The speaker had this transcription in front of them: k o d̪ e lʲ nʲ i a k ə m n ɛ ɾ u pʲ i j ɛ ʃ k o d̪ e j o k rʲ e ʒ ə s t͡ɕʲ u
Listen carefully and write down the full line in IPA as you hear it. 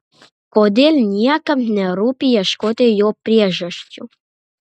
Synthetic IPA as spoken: k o d̪ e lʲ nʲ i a k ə m n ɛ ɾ u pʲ i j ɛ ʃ k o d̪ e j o p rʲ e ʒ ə ʃ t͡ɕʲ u